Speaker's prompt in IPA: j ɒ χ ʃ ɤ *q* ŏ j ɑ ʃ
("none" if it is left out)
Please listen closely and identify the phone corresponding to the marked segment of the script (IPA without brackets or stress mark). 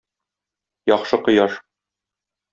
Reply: q